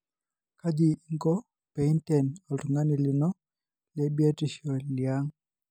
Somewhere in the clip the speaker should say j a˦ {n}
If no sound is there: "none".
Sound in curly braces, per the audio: ŋ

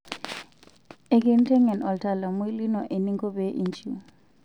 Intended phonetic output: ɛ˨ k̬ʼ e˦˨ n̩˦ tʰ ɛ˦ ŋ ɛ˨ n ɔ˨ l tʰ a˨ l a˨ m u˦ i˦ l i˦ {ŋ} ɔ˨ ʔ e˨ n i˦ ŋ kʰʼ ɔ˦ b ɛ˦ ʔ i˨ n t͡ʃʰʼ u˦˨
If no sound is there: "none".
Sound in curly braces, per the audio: n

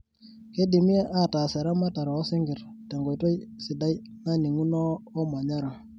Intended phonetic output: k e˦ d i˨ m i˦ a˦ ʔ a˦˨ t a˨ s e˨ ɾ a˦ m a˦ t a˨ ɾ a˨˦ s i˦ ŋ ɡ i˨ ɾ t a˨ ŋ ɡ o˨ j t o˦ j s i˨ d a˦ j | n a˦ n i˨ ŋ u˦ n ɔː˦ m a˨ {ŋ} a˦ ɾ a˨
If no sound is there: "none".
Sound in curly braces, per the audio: ɲ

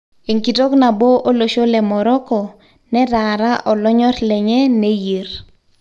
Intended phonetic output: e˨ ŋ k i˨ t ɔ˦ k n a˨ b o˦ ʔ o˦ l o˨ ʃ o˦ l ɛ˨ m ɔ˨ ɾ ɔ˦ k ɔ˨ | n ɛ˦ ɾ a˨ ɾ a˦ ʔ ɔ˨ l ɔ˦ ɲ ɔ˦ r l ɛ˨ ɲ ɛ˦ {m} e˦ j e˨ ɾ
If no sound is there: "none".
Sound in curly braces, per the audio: n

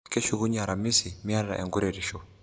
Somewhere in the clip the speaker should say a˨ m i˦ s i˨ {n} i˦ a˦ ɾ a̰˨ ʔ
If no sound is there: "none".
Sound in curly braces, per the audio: m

